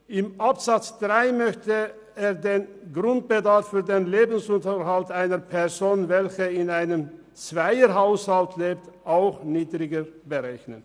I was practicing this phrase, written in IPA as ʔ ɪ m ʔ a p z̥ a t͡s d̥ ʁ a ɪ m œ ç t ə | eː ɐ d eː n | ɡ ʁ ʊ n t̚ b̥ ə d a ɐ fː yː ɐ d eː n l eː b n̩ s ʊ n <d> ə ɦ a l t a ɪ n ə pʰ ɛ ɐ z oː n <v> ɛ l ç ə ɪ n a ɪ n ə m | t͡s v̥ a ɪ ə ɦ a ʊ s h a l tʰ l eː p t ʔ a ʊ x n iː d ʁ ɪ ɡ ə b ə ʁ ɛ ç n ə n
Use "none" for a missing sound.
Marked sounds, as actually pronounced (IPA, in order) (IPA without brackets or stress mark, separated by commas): t, v